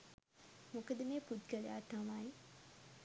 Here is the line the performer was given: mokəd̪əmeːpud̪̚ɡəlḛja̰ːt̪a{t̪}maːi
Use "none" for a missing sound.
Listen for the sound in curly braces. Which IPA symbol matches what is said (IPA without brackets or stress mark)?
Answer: none